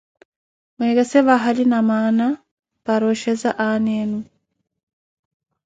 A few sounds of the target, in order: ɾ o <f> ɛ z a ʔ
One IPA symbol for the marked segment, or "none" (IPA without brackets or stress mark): ʃ